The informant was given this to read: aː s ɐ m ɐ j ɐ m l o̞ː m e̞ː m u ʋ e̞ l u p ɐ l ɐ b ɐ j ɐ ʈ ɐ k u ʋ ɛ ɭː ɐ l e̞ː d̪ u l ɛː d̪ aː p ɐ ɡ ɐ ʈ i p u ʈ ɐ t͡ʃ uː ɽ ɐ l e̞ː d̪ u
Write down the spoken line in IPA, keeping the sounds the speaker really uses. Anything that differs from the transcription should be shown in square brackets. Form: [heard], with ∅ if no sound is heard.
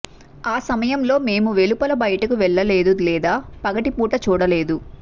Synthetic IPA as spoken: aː s ɐ m ɐ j ɐ m l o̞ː m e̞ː m u ʋ e̞ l u p ɐ l ɐ b ɐ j ɐ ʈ ɐ k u ʋ ɛ ɭː ɐ l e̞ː d̪ u l ɛː d̪ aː p ɐ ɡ ɐ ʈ i p [uː] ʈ ɐ t͡ʃ uː ɽ ɐ l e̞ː d̪ u